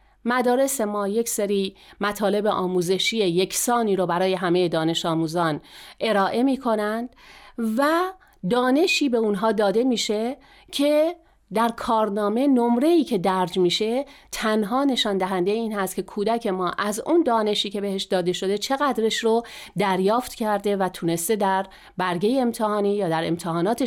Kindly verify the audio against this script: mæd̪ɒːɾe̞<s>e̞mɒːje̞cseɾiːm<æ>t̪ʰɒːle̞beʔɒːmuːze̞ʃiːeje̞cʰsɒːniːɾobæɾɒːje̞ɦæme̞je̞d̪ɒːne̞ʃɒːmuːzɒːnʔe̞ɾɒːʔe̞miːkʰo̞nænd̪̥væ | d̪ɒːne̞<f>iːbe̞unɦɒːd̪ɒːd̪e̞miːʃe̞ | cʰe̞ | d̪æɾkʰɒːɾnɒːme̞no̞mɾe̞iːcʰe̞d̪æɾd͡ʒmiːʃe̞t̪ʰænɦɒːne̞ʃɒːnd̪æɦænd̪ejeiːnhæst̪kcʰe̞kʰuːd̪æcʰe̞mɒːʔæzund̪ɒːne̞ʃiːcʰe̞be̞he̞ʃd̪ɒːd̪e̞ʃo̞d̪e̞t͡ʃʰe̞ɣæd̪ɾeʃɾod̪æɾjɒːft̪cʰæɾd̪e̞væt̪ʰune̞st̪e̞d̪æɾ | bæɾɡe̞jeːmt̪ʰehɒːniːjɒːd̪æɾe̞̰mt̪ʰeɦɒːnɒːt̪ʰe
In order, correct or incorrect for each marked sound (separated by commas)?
correct, correct, incorrect